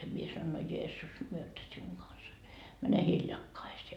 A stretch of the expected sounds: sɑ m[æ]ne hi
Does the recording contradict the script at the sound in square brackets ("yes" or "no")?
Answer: no